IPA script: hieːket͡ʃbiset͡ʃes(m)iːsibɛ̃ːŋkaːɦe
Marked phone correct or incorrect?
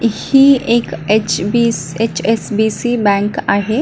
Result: incorrect